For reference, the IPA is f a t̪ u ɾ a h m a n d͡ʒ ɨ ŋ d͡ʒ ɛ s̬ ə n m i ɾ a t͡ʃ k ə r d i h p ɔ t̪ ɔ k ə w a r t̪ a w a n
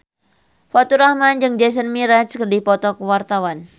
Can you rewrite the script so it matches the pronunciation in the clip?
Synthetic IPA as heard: f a t̪ u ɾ a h m a n d͡ʒ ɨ ŋ d͡ʒ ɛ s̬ ə n m i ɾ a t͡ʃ k ə r d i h p ɔ t̪ ɔ k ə w a r t̪ a w a n